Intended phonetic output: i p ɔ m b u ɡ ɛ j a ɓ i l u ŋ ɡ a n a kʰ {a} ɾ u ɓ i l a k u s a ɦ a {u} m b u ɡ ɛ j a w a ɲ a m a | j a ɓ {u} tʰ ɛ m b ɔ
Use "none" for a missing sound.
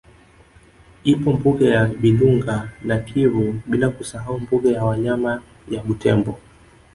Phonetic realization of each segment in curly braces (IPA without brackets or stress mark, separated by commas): i, u, u